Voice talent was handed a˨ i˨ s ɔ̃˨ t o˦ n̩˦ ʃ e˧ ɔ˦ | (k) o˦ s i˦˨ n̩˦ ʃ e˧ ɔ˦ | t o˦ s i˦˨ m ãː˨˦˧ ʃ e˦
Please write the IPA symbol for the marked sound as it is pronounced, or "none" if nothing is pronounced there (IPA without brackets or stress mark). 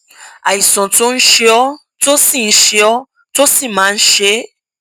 t